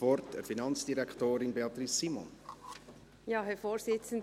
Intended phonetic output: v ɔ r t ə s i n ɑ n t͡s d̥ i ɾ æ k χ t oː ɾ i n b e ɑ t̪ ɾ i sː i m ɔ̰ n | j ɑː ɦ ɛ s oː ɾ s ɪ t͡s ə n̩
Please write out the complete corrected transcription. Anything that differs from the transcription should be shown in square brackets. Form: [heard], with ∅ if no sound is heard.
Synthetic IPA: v ɔ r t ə [f] i n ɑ n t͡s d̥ i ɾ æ k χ t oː ɾ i n b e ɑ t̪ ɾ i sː i m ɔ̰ n | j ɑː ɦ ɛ [f] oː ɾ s ɪ t͡s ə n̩

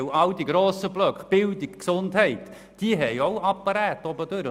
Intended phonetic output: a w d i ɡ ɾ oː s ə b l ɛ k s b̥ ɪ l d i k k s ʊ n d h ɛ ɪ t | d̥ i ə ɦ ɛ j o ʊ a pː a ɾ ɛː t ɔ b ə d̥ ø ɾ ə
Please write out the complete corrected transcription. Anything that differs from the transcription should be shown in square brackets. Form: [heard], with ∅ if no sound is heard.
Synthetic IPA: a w d i ɡ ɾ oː s ə b l [œ] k [χ] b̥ ɪ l d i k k s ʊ n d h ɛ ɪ t | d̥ i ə ɦ ɛ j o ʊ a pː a ɾ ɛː t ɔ b ə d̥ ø ɾ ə

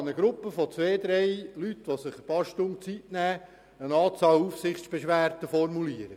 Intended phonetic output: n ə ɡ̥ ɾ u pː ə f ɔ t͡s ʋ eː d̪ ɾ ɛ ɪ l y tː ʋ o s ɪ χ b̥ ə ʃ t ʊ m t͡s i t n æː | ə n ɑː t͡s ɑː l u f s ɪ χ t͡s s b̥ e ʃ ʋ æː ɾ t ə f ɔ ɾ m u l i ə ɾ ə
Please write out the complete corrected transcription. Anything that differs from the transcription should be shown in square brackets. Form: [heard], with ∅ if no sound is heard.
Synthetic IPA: n ə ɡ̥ ɾ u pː ə f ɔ t͡s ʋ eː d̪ ɾ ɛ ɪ l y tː ʋ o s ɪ χ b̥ [ɑ] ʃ t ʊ m t͡s i t n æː | ə n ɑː t͡s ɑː l u f s ɪ χ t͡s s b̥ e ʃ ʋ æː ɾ t ə f ɔ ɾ m u l i ə ɾ ə

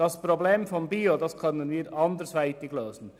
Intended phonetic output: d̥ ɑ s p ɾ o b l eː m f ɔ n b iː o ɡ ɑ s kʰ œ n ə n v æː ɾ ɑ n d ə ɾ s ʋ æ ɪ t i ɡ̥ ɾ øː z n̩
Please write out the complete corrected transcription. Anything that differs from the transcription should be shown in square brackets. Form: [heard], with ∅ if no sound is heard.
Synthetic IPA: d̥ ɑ s p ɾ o b l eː m f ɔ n b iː o [d] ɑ s kʰ œ n ə n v [iː] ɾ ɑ n d ə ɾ s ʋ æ ɪ t [ɪ] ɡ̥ [l] øː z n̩

